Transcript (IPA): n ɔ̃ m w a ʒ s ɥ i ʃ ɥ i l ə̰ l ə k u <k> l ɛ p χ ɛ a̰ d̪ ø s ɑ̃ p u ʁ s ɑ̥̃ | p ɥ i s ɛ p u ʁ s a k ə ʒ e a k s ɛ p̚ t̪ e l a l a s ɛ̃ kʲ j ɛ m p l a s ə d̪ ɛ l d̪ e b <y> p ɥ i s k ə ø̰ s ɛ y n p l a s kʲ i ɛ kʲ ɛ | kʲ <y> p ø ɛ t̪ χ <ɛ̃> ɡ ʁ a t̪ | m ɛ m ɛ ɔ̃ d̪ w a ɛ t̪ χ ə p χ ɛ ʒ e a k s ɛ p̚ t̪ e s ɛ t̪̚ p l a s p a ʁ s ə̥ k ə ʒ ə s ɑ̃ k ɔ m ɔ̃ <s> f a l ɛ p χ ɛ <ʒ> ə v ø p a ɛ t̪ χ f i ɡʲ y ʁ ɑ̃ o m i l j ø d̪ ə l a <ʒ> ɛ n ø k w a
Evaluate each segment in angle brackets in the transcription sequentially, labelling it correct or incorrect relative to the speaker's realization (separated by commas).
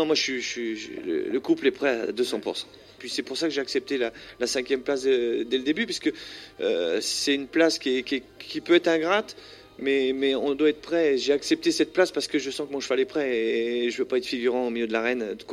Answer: incorrect, correct, incorrect, correct, incorrect, correct, incorrect